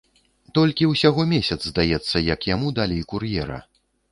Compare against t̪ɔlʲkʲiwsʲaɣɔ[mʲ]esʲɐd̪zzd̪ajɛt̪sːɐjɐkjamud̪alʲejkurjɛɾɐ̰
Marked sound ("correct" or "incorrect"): correct